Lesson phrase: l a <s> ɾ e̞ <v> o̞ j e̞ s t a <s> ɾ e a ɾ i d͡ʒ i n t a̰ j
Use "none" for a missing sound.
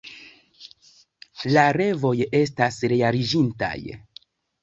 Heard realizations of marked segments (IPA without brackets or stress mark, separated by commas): none, v, s